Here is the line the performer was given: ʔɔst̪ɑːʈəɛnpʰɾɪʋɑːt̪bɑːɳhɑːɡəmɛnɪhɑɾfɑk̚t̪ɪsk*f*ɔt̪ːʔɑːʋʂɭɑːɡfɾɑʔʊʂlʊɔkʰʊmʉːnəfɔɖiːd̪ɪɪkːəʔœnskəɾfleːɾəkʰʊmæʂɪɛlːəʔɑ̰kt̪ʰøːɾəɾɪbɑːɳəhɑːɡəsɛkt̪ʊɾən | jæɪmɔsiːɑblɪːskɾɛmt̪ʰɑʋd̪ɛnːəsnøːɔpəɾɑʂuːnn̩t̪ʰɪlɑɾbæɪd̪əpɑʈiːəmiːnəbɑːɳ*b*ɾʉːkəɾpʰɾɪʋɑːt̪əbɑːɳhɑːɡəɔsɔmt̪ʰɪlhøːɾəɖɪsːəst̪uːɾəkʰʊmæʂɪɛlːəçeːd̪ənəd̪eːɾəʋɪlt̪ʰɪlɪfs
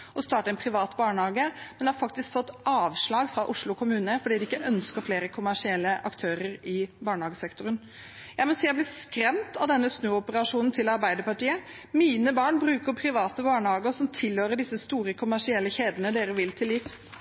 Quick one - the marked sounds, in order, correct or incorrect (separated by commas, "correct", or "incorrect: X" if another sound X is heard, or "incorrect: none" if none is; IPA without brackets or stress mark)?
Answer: correct, correct